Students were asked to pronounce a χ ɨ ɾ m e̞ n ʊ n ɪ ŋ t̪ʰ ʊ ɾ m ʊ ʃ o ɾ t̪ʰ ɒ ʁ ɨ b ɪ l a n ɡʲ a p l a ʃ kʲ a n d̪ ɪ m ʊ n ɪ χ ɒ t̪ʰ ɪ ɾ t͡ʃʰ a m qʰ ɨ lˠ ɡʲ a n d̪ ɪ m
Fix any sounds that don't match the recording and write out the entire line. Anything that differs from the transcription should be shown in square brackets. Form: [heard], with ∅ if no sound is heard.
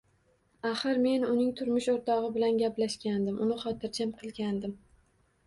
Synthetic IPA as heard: a χ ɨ ɾ m e̞ n ʊ n ɪ ŋ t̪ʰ ʊ ɾ m ʊ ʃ o ɾ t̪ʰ ɒ ʁ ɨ b ɪ l a n ɡʲ a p l a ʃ kʲ a n d̪ ɪ m ʊ n ɪ χ ɒ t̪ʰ ɪ ɾ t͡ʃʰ a m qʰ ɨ lˠ ɡʲ a n d̪ ɪ m